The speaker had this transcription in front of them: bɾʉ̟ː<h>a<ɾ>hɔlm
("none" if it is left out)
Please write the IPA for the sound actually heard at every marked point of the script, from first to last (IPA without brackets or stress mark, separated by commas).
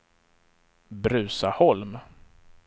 s, none